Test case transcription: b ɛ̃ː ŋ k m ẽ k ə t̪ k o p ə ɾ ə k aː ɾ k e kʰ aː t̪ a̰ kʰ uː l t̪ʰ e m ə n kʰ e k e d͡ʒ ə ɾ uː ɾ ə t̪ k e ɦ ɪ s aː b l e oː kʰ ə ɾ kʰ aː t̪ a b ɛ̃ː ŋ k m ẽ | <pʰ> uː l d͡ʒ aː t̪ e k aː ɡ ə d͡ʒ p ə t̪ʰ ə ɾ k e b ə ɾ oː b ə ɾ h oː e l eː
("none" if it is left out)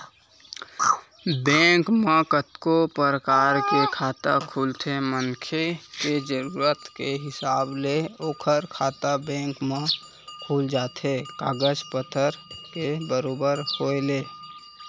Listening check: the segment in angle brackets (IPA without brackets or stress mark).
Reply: kʰ